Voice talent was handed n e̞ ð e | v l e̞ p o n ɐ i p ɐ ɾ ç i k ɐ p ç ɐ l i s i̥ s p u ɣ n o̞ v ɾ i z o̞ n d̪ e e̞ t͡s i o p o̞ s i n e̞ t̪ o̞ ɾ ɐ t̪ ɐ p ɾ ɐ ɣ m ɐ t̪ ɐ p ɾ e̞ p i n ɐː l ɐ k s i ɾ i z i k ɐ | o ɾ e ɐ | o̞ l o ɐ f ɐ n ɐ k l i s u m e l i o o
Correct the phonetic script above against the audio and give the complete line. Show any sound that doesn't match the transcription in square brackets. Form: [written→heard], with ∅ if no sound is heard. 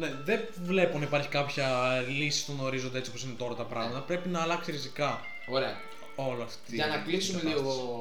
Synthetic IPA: n e̞ ð e | v l e̞ p o n ɐ i p ɐ ɾ ç i k ɐ p ç ɐ l i s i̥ s p u ɣ n o̞ [v→∅] ɾ i z o̞ n d̪ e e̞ t͡s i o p o̞ s i n e̞ t̪ o̞ ɾ ɐ t̪ ɐ p ɾ ɐ ɣ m ɐ t̪ ɐ p ɾ e̞ p i n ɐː l ɐ k s i ɾ i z i k ɐ | o ɾ e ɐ | o̞ l o ɐ f ɐ n ɐ k l i s u m e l i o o